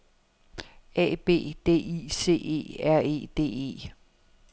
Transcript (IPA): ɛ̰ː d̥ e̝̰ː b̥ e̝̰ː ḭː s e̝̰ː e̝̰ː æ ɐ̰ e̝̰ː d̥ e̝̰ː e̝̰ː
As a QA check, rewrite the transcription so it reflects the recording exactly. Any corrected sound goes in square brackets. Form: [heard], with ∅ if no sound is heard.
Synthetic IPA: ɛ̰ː [b̥] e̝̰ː [d̥] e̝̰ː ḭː s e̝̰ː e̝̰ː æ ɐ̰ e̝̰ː d̥ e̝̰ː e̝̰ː